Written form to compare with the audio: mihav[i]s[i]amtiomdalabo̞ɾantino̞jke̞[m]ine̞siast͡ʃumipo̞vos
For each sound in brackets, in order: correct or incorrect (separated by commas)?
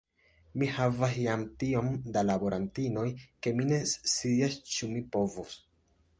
incorrect, incorrect, correct